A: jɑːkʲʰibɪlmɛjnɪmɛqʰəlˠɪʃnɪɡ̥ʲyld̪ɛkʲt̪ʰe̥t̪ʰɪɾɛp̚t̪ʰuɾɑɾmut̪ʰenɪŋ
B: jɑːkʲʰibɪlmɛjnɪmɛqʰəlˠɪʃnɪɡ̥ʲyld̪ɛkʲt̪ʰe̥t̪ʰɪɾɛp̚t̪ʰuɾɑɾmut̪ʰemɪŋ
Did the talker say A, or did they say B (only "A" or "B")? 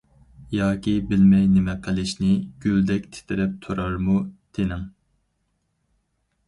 A